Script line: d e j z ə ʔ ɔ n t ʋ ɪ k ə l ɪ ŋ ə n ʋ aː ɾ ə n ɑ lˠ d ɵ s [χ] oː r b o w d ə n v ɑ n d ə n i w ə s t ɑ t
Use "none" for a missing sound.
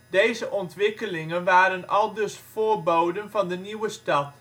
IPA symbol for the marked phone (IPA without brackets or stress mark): f